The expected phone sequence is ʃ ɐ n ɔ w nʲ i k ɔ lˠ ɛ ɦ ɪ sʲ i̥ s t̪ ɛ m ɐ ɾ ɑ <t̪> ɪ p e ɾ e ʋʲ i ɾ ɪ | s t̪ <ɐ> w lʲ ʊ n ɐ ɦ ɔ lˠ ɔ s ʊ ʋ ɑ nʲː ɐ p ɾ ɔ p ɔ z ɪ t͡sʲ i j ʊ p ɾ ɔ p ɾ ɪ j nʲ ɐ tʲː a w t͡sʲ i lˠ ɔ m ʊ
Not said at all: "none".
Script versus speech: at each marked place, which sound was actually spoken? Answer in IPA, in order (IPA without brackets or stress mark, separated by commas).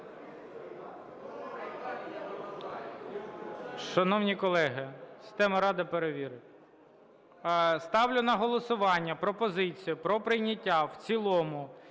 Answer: d̪, ɑ